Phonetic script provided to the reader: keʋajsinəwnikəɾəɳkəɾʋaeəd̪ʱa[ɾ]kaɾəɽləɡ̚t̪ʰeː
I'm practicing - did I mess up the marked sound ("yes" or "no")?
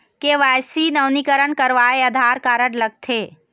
no